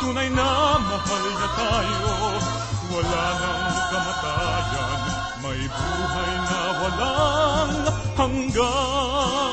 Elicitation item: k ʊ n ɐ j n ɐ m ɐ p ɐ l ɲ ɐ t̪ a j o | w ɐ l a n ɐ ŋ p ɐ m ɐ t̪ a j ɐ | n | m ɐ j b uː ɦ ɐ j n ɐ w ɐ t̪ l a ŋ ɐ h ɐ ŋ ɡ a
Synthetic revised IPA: k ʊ n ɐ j n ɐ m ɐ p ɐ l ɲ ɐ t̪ a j o | w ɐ l a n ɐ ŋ k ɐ m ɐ t̪ a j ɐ | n | m ɐ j b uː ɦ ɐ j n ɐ w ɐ l a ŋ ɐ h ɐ ŋ ɡ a